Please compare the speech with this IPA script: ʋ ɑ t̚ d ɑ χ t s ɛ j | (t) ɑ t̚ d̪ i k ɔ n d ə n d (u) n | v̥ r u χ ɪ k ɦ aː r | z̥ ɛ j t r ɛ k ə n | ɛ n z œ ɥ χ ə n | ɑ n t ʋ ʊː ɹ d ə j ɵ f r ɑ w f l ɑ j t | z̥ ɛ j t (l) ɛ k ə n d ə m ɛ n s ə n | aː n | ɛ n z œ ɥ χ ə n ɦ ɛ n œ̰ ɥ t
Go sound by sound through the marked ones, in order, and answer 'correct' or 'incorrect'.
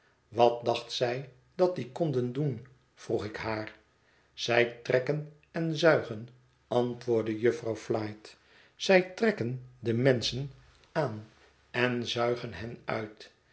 incorrect, correct, incorrect

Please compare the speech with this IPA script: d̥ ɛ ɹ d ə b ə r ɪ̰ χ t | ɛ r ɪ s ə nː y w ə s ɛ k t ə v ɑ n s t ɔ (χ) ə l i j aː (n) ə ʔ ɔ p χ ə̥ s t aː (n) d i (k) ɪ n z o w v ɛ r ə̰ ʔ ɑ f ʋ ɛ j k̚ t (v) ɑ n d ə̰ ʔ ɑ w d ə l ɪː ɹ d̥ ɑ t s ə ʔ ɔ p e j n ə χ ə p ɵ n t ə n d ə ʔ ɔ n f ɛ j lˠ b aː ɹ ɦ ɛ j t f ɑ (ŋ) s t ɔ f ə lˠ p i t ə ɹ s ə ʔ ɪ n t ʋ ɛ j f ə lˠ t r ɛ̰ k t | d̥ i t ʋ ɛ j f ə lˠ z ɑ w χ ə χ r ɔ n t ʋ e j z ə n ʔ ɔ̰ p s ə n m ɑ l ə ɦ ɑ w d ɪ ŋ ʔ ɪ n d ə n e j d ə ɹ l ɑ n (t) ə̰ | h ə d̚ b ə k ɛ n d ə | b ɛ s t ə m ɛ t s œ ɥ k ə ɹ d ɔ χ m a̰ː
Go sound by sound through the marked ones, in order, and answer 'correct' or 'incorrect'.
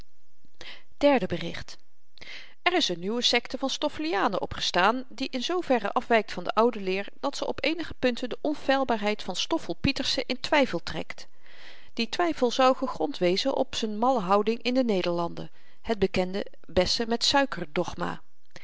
incorrect, correct, correct, incorrect, incorrect, incorrect, incorrect

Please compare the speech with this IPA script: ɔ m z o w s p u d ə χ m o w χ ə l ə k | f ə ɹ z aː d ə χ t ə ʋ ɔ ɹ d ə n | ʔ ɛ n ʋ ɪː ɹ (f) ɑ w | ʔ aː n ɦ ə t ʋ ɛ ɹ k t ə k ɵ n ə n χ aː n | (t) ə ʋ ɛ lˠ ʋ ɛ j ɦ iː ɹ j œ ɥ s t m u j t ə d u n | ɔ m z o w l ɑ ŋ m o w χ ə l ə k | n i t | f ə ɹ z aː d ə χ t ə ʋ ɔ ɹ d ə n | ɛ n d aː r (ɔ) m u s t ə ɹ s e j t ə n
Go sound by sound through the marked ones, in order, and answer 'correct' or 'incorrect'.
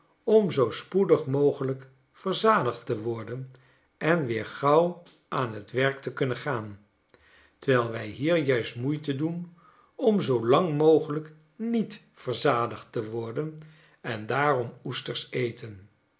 incorrect, correct, correct

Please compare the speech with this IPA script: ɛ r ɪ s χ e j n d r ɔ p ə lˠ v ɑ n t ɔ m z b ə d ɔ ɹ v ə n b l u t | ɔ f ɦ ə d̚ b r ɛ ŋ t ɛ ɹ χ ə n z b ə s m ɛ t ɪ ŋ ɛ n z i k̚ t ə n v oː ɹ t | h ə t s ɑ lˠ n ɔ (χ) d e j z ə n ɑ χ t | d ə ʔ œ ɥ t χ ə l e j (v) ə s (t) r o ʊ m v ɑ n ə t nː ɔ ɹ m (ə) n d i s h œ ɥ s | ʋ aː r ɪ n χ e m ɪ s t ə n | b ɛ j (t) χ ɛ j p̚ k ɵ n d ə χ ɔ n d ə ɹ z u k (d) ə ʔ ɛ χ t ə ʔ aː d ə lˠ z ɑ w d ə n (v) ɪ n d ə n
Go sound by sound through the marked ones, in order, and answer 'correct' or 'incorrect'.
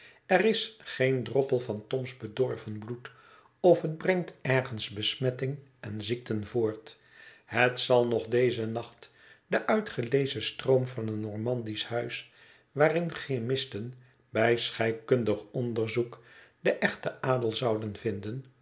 correct, incorrect, correct, incorrect, incorrect, correct, correct

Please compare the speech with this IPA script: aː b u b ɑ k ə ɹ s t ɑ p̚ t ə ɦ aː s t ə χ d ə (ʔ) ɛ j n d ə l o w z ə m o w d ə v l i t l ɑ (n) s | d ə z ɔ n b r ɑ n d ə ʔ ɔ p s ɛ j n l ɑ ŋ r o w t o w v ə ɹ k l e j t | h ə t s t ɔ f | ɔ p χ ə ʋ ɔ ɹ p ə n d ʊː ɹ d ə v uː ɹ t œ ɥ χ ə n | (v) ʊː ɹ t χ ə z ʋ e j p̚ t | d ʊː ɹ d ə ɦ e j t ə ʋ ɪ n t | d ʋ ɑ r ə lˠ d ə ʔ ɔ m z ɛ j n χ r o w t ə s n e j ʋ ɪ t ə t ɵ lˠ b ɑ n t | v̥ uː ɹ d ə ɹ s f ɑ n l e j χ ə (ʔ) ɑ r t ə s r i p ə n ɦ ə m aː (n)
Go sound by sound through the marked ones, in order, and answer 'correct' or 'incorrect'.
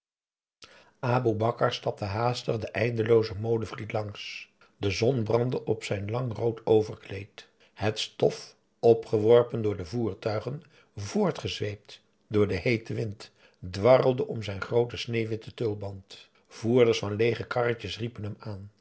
correct, incorrect, correct, incorrect, correct

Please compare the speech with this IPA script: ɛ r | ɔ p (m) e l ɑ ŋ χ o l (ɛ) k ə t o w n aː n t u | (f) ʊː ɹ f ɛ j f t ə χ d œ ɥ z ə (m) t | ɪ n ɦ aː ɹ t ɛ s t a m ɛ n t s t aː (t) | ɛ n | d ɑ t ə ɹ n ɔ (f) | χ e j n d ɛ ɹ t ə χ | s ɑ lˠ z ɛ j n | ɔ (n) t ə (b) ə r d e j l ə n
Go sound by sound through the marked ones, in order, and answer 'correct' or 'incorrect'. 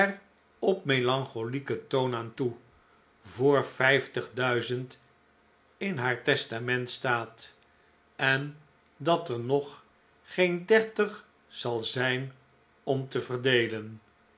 correct, incorrect, incorrect, incorrect, correct, incorrect, incorrect, incorrect

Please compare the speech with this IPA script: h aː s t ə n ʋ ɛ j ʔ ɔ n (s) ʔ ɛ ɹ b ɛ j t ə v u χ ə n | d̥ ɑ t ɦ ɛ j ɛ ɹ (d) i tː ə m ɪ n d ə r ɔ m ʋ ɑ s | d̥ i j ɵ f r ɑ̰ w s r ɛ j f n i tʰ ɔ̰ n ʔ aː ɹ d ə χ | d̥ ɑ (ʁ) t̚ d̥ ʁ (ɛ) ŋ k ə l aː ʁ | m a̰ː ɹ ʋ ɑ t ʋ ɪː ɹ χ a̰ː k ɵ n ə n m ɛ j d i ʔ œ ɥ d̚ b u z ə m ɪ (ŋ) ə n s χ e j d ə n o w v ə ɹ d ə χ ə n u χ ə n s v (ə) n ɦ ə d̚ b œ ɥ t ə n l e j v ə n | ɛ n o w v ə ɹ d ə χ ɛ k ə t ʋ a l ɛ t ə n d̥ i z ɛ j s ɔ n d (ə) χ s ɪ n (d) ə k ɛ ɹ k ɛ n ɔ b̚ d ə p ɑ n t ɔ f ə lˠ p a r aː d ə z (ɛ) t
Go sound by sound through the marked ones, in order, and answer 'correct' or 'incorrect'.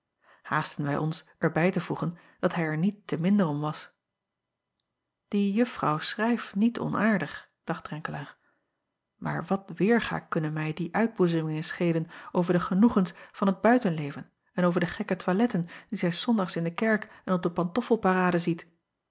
correct, incorrect, incorrect, correct, correct, incorrect, incorrect, correct, incorrect

